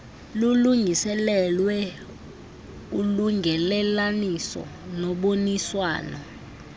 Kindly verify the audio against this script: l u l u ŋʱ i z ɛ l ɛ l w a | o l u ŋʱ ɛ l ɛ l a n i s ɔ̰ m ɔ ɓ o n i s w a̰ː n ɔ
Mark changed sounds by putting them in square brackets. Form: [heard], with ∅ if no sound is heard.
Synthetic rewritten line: l u l u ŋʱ i [s] ɛ l ɛ l w [ɛ] | [u] l u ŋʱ ɛ l ɛ l a n i s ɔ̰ [n] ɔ ɓ o n i s w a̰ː n ɔ

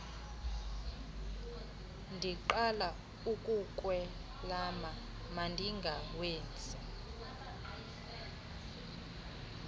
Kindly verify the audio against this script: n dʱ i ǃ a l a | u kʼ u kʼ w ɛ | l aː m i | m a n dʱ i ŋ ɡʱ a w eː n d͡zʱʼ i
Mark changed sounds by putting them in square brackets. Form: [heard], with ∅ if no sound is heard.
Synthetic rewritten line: n dʱ i ǃ a l a | u kʼ u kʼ w ɛ | l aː m [a] | m a n dʱ i ŋ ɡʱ a w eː n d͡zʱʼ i

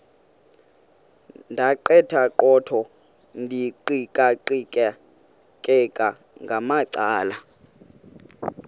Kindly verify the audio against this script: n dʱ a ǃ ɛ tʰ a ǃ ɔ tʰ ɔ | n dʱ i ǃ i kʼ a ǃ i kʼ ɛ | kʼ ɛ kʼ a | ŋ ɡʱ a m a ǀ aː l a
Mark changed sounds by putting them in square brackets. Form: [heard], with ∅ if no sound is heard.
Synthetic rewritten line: n dʱ a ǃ ɛ tʰ a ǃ ɔ tʰ ɔ | n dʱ i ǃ i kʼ a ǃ i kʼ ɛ | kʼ ɛ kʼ a | ŋ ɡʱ a m a ǀ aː l a

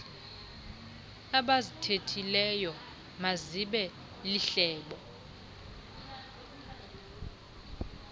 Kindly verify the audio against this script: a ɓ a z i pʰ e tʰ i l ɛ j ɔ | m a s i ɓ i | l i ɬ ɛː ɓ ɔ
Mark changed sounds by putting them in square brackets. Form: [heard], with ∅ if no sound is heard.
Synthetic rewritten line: a ɓ a z i [tʰ] e tʰ i l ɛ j ɔ | m a [z] i ɓ [ɛ] | l i ɬ ɛː ɓ ɔ

